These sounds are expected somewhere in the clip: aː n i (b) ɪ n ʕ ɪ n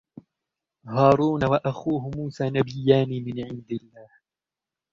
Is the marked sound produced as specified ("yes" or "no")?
no